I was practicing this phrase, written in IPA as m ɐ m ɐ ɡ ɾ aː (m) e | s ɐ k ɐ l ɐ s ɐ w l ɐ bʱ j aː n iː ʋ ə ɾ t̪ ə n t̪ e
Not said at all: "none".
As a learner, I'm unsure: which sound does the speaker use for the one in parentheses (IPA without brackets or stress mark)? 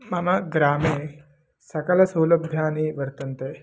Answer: m